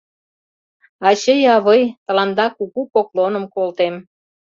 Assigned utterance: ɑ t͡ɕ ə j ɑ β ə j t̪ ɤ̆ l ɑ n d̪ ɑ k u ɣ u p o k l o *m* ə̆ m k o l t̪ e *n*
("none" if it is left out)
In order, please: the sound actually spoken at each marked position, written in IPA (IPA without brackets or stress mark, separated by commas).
n, m